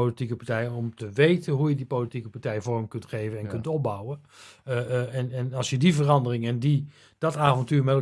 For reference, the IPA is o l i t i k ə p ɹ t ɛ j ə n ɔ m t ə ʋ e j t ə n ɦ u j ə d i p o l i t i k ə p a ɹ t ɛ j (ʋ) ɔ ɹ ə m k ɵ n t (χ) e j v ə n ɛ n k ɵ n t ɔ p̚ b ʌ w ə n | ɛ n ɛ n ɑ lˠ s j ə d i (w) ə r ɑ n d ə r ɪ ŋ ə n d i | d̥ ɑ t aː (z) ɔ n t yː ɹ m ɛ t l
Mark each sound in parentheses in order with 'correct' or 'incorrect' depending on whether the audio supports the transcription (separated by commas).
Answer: incorrect, correct, incorrect, incorrect